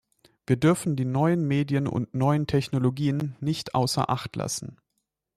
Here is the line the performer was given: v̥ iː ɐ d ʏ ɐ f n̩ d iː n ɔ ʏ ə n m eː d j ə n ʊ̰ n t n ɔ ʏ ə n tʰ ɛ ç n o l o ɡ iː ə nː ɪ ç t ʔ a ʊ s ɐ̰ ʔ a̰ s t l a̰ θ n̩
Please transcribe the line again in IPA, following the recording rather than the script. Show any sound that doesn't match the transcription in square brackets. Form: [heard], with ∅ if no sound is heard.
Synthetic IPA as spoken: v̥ iː ɐ d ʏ ɐ f n̩ d iː n ɔ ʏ ə n m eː d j ə n ʊ̰ n t n ɔ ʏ ə n tʰ ɛ ç n o l o ɡ iː ə nː ɪ ç t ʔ a ʊ s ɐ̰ ʔ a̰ [χ] t l a̰ [s] n̩